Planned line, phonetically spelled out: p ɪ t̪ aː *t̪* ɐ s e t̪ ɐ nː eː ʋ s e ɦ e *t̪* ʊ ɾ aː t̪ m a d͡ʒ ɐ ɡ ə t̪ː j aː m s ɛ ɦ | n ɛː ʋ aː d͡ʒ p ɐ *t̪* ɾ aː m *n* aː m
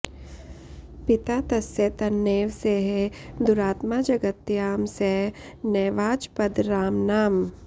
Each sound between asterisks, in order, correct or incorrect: correct, incorrect: d̪, incorrect: d̪, correct

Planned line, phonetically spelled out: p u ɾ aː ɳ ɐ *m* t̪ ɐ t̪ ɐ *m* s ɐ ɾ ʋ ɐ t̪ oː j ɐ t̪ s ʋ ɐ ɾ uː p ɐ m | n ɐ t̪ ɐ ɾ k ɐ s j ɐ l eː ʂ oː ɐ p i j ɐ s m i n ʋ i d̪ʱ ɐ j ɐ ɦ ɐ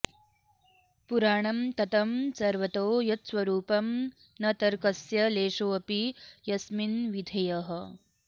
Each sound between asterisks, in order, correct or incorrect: correct, correct

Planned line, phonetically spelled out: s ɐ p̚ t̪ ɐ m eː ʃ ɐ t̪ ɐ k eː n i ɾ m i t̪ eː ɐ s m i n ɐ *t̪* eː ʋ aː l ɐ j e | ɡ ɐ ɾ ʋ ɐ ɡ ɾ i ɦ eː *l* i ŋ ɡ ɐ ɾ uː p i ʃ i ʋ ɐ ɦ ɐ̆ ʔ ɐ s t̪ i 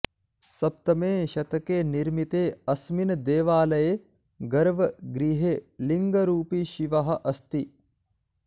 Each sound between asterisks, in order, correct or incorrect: incorrect: d̪, correct

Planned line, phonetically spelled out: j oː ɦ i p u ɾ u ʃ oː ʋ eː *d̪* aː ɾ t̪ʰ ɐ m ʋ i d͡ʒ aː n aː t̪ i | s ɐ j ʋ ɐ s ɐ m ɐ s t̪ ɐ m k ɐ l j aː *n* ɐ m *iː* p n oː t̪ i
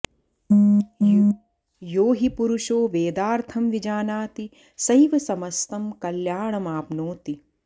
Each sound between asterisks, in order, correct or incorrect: correct, incorrect: ɳ, incorrect: aː

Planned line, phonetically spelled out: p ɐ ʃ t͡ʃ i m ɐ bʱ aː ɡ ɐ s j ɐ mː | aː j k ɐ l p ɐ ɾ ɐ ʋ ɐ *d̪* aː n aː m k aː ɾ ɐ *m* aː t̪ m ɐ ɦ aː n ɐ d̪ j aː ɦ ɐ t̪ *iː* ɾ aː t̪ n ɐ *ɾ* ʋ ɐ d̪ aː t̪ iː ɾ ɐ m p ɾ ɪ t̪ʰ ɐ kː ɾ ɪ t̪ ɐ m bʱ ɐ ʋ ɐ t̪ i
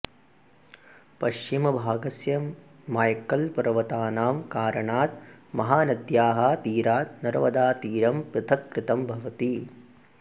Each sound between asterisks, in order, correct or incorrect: incorrect: t̪, incorrect: ɳ, correct, correct

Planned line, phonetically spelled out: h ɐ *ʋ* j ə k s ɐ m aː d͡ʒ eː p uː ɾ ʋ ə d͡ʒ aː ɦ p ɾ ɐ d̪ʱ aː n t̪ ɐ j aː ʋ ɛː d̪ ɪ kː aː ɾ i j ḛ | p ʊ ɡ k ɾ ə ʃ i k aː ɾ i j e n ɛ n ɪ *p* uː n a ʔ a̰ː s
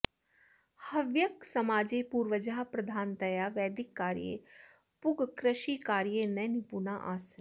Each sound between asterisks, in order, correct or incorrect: correct, correct

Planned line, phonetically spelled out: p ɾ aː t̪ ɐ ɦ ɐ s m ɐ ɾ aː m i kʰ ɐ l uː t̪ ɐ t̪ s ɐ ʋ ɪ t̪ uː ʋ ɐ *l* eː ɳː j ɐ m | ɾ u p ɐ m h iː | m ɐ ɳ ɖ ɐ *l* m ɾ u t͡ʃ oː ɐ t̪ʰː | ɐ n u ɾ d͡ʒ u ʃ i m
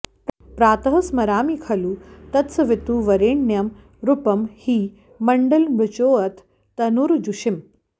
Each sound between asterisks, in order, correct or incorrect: incorrect: ɾ, correct

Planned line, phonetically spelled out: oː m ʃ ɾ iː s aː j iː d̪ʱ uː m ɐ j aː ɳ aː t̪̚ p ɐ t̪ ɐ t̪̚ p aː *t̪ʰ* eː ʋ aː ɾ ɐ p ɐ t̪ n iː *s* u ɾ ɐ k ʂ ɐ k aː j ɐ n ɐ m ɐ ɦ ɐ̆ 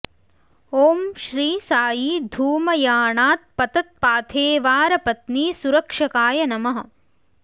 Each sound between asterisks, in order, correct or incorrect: correct, correct

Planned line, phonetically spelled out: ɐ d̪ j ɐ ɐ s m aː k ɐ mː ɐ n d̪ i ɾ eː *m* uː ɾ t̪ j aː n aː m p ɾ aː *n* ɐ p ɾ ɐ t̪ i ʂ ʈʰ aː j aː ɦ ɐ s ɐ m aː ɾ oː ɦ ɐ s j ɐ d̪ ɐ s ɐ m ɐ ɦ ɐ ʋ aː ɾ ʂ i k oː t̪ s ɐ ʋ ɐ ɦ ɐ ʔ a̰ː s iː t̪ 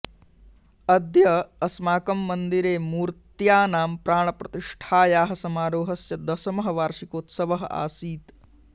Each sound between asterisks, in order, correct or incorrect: correct, incorrect: ɳ

